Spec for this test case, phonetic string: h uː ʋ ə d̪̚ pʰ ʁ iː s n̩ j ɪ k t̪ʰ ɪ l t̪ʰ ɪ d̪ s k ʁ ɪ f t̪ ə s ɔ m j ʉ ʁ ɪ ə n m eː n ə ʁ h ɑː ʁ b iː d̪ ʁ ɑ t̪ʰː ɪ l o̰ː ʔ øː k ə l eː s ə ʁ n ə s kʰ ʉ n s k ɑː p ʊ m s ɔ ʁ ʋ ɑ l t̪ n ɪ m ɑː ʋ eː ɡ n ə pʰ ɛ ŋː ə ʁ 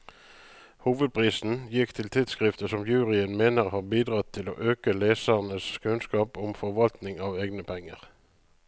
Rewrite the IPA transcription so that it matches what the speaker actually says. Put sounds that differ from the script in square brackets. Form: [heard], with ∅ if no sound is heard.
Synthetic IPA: h uː ʋ ə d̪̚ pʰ ʁ iː s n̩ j ɪ k t̪ʰ ɪ l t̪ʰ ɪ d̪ s k ʁ ɪ f t̪ ə s ɔ m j [ʉː] ʁ ɪ ə n m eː n ə ʁ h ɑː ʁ b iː d̪ ʁ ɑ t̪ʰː ɪ l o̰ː ʔ øː k ə l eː s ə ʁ n ə s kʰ ʉ n s k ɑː p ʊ m [f] ɔ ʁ ʋ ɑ l t̪ n ɪ [ŋ] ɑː ʋ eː ɡ n ə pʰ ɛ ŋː ə ʁ